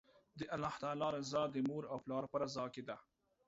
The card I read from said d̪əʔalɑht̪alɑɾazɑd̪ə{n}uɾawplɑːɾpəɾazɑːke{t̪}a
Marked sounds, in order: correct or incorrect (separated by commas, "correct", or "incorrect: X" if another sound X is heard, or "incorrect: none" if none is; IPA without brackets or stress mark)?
incorrect: m, incorrect: d̪